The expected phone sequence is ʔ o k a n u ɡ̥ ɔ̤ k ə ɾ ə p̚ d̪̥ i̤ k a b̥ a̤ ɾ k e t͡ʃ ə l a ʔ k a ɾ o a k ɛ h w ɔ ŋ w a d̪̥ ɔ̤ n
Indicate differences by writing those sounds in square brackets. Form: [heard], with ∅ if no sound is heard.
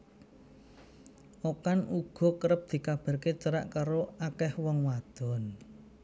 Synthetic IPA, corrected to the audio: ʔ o k a n u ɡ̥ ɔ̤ k ə ɾ ə p̚ d̪̥ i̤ k a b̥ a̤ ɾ k e t͡ʃ ə [ɾ] a ʔ k a ɾ o a k ɛ h w ɔ ŋ w a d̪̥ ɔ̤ n